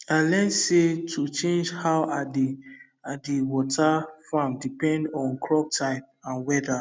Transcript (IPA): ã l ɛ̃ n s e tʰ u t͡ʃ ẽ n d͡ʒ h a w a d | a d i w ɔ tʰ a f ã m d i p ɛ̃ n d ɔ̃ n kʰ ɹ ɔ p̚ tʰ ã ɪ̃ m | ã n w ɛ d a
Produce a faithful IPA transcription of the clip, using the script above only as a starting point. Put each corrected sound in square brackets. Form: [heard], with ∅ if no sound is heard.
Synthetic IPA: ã l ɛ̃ n s e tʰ u t͡ʃ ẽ n d͡ʒ h a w a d | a d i w ɔ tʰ a f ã m d i p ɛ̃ n d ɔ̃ n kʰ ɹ ɔ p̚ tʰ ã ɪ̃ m | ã n w ɛ d a